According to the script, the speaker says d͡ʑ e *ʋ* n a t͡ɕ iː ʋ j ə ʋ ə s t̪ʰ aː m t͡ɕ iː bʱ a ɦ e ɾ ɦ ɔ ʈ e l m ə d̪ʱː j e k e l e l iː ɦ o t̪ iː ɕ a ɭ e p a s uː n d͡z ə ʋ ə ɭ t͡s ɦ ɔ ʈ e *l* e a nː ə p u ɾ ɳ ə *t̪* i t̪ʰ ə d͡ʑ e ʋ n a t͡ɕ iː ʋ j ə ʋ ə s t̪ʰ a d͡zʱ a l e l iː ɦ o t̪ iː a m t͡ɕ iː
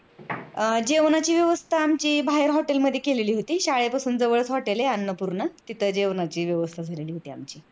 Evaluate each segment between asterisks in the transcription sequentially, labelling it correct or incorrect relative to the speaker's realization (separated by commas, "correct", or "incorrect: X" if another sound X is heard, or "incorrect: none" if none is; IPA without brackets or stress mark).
correct, correct, correct